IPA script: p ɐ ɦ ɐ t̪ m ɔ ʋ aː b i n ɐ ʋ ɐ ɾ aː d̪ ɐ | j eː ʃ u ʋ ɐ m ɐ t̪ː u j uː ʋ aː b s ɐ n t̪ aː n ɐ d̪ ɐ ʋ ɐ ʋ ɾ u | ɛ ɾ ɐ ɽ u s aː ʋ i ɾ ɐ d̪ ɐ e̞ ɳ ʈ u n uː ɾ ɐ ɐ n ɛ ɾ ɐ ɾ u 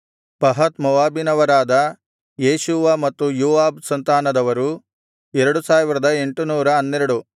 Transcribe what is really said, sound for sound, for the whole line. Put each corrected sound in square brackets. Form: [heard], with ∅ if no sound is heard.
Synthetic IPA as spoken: p ɐ ɦ ɐ t̪ m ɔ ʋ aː b i n ɐ ʋ ɐ ɾ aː d̪ ɐ | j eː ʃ u ʋ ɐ m ɐ t̪ː u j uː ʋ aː b s ɐ n t̪ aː n ɐ d̪ ɐ ʋ ɐ [∅] ɾ u | ɛ ɾ ɐ ɽ u s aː ʋ i ɾ ɐ d̪ ɐ e̞ ɳ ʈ u n uː ɾ ɐ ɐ [nː] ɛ ɾ ɐ [ɽ] u